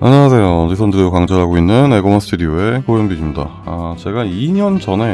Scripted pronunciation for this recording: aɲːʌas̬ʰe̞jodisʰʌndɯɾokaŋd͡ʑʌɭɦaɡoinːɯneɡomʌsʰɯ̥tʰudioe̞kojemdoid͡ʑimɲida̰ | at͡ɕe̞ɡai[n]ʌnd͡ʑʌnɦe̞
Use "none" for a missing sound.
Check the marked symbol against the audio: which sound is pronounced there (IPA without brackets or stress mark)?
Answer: ɲ